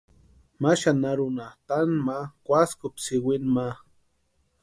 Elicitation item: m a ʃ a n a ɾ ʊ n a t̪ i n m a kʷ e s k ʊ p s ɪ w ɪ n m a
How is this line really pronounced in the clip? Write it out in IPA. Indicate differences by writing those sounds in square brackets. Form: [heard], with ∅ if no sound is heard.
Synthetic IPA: m a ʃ a n a ɾ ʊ n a t̪ [a] n m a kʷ [a] s k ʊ p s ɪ w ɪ n m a